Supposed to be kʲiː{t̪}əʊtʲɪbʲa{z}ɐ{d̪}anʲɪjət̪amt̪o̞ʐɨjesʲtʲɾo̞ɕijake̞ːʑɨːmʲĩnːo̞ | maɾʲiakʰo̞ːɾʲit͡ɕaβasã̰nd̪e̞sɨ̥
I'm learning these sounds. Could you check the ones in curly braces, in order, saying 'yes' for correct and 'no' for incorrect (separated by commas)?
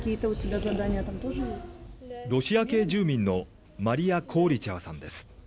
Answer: yes, yes, yes